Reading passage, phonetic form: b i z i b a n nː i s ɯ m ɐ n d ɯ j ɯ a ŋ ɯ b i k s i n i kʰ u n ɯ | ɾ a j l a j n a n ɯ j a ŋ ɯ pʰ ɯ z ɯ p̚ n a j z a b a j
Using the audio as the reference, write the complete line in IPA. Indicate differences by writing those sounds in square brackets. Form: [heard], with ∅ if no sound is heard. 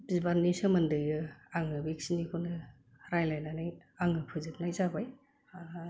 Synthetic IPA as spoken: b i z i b a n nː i s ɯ m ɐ n d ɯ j ɯ a ŋ ɯ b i k s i n i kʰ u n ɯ | ɾ a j l a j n a n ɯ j a ŋ ɯ pʰ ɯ z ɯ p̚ n a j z a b a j